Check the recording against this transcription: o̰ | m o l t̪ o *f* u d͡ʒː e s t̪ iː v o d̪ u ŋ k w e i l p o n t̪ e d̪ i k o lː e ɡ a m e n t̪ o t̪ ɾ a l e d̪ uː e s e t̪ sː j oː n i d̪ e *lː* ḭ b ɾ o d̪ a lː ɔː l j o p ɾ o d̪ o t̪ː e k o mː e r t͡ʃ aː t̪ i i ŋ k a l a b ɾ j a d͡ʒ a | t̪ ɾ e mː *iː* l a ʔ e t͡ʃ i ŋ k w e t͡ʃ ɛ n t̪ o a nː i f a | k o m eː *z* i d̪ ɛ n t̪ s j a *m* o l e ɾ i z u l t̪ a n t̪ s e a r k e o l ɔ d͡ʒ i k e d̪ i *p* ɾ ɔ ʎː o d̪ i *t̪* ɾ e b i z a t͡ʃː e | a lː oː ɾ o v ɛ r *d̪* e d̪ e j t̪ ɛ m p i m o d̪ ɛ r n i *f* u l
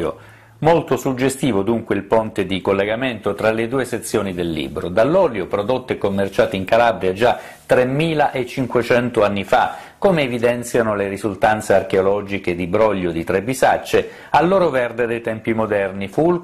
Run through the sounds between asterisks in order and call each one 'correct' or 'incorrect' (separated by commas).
incorrect, correct, correct, incorrect, incorrect, incorrect, correct, correct, correct